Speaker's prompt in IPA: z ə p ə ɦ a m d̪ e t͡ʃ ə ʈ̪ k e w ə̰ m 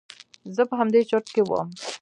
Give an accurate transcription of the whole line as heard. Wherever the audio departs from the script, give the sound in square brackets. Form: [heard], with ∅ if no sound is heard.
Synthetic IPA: z ə p ə ɦ a m d̪ e t͡ʃ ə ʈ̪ k e w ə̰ m

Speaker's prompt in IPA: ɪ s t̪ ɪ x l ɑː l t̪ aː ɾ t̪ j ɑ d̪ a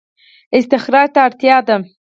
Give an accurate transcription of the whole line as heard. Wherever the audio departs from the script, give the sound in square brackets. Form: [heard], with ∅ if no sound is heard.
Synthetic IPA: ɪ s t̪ ɪ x [ɾ] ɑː [ɾ] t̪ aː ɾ t̪ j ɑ d̪ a

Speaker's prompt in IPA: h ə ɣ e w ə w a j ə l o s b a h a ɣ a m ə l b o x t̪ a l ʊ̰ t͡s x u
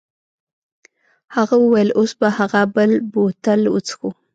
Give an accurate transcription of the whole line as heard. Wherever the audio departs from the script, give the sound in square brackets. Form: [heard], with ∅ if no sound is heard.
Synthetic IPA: h [a] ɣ [a] w ə w a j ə l o s b a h a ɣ a [b] ə l b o [∅] t̪ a l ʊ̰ t͡s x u

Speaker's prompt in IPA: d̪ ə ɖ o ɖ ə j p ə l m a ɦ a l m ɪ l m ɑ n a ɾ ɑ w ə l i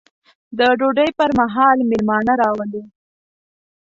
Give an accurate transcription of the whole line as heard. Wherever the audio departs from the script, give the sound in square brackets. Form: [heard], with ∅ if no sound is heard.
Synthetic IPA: d̪ ə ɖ o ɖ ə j p ə [ɾ] m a ɦ [ɑ] l m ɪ l m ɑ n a ɾ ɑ w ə l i

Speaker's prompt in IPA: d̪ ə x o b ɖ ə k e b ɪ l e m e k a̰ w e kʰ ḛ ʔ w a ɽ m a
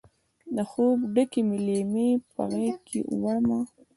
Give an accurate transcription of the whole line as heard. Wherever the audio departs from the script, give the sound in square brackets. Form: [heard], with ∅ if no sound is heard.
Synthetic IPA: d̪ ə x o b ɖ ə k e [m] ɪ l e m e [p] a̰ [ɣ] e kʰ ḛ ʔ w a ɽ m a

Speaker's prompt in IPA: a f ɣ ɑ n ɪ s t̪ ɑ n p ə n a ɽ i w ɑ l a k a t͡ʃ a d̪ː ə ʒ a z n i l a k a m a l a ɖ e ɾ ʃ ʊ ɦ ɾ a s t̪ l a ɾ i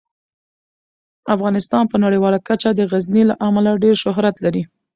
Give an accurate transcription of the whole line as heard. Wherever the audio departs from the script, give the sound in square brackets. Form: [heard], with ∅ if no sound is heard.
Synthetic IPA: a f ɣ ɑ n ɪ s t̪ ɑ n p ə n a ɽ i w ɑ l a k a t͡ʃ a [d̪] ə [ɣ] a z n i l a [ʔ] a m a l a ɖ e ɾ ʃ ʊ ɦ ɾ a [∅] t̪ l a ɾ i

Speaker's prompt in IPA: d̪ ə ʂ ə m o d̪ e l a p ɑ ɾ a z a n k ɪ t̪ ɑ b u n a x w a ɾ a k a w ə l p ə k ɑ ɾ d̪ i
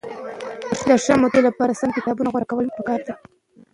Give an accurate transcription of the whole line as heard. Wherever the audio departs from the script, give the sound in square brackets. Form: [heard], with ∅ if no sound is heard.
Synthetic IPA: d̪ ə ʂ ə m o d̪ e l a p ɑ ɾ a [s] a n k ɪ t̪ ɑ b u n a [ɣ] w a ɾ a k a w ə l p ə k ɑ ɾ d̪ [a]

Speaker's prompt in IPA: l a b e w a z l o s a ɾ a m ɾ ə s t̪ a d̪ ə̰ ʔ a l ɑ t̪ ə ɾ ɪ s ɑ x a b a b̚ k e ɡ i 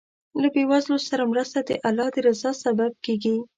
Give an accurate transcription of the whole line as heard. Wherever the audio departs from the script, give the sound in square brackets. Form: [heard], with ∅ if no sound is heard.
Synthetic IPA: l a b e w a z l o s a ɾ a m ɾ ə s t̪ a d̪ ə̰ ʔ a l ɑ [d̪] ə ɾ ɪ [z] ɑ [s] a b a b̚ k e ɡ i

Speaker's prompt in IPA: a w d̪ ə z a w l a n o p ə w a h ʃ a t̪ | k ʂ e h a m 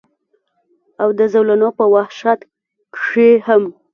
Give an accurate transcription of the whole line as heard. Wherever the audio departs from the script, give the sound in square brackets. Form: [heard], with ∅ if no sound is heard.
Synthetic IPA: a w d̪ ə z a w l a n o p ə w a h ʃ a t̪ | k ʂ e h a m

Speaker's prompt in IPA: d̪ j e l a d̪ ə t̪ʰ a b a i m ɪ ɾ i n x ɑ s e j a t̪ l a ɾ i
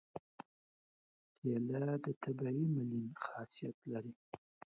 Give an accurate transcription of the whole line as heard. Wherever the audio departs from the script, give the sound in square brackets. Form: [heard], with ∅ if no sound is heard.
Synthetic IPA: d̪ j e l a d̪ ə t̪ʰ a b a i m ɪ [l] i n x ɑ s [i] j a t̪ l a ɾ i

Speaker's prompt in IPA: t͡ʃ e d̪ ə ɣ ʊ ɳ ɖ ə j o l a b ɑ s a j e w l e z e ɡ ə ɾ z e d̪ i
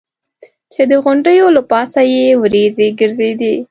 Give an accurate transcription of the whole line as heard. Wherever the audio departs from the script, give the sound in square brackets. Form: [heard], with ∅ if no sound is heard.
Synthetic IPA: t͡ʃ e d̪ ə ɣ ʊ ɳ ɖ ə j o l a [p] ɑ s a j e w [ɾ] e z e ɡ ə ɾ z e d̪ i

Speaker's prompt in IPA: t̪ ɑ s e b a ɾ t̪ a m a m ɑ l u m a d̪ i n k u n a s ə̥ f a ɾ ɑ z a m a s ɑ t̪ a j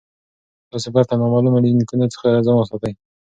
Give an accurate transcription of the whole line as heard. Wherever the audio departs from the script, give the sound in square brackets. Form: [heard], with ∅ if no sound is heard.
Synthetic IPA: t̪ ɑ s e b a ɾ t̪ a m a m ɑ l u m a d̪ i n k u n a [t͡s] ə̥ [x] a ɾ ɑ z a m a s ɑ t̪ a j

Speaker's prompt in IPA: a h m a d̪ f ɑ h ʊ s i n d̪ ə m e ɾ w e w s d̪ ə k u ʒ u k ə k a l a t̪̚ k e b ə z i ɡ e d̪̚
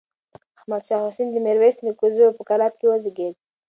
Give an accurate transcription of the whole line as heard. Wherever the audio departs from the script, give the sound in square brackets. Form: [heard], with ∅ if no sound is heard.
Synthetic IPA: a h m a d̪ [ʃ] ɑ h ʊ s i n d̪ ə m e ɾ w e [∅] s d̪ ə k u [z] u [p] ə k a l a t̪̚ k e [w] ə z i ɡ e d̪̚

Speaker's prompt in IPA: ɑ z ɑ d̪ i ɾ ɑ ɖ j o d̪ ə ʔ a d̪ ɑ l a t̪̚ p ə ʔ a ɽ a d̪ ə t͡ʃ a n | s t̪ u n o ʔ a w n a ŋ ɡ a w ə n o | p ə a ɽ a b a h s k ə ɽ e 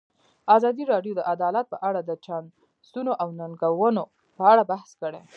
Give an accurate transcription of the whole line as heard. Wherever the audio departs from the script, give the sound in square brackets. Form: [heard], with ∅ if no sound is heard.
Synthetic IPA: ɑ z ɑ d̪ i ɾ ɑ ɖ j o d̪ ə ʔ a d̪ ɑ l a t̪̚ p ə ʔ a ɽ a d̪ ə t͡ʃ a n | s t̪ u n o ʔ a w n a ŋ ɡ a w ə n o | p ə a ɽ a b a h s k ə ɽ e

